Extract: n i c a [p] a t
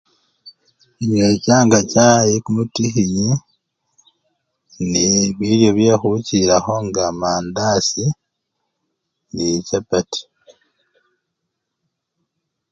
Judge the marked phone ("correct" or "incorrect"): correct